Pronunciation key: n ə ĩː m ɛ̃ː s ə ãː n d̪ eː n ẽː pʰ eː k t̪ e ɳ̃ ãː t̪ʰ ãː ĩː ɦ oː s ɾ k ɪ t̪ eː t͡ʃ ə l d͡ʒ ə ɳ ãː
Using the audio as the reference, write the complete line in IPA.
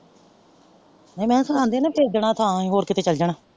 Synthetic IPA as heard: n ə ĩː m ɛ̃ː s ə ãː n d̪ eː n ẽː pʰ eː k d̪ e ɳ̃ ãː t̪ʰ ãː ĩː ɦ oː ɾ k ɪ t̪ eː t͡ʃ ə l d͡ʒ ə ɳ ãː